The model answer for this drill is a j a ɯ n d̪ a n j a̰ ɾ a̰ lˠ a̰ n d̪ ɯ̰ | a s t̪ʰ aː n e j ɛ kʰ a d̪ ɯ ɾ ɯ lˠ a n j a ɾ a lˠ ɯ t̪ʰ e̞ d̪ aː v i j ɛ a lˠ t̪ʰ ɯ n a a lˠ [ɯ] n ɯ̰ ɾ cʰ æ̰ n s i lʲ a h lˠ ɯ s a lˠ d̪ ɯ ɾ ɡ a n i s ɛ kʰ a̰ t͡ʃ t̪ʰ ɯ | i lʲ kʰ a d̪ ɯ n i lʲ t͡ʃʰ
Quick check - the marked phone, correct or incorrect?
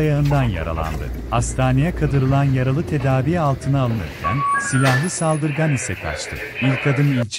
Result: correct